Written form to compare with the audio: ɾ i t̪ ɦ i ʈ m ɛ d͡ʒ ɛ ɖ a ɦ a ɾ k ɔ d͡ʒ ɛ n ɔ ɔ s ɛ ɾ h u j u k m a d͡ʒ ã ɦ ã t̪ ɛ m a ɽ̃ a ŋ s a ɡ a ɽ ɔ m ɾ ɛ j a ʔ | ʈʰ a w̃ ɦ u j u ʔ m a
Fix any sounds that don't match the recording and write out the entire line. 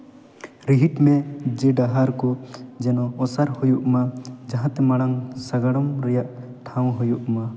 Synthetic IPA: ɾ i ɦ i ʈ m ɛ d͡ʒ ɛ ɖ a ɦ a ɾ k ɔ d͡ʒ ɛ n ɔ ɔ s a ɾ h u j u ʔ m a d͡ʒ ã ɦ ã t̪ ɛ m a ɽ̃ a ŋ s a ɡ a ɽ ɔ m ɾ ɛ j a ʔ | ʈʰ a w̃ ɦ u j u ʔ m a